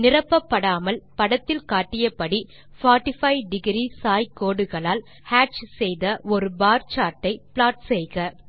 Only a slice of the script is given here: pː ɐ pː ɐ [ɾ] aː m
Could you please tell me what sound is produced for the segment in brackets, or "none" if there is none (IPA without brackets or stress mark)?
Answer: ɽ